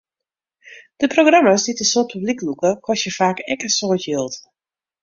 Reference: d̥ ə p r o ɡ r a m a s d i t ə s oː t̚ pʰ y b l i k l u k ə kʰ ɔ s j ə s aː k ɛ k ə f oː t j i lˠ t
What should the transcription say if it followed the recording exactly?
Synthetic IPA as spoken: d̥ ə p r o ɡ r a m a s d i t ə s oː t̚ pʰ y b l i k l u k ə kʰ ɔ s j ə f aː k ɛ k ə s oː t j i lˠ t